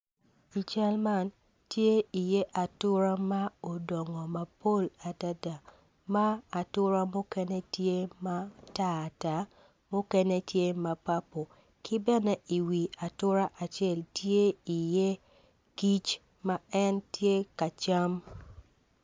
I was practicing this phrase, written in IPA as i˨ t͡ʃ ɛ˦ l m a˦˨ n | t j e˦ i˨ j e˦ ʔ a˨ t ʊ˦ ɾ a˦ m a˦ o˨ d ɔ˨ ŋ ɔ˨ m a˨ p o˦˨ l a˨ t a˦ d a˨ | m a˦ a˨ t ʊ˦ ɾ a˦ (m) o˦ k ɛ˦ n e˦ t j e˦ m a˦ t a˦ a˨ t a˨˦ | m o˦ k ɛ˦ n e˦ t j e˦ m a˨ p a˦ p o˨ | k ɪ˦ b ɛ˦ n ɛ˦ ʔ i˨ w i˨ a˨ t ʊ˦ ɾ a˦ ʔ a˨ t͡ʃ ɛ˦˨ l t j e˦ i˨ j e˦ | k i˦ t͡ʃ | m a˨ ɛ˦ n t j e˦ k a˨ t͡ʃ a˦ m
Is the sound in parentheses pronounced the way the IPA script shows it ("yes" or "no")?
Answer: yes